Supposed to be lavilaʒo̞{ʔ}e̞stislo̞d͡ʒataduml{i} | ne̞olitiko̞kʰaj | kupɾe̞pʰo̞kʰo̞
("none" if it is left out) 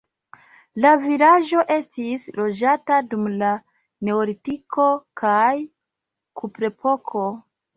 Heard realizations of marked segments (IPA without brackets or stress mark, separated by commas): ʔ, a